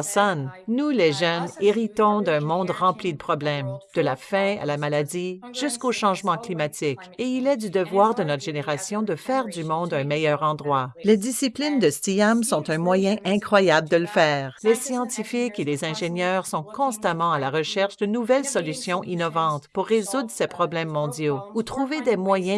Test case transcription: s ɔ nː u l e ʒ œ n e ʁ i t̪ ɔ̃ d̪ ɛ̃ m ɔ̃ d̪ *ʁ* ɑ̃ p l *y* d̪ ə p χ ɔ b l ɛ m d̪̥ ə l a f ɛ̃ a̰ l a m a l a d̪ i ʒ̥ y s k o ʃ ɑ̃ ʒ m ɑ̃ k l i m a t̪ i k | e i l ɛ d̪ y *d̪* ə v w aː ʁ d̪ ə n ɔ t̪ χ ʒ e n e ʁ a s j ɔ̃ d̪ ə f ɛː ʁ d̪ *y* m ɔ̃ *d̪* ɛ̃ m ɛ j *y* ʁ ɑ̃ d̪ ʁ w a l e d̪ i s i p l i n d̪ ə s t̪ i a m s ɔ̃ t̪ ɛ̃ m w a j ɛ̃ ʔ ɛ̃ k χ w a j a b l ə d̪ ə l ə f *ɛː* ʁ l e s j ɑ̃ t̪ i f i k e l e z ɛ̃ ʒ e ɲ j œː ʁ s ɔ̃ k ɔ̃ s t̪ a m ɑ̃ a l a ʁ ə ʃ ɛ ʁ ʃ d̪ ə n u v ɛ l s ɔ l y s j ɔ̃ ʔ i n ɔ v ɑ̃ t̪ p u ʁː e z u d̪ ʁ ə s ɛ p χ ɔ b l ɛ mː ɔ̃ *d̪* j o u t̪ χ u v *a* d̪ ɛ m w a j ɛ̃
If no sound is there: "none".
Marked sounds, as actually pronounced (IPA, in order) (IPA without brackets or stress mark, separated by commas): ʁ, i, d̪, y, d̪, œ, ɛː, d̪, e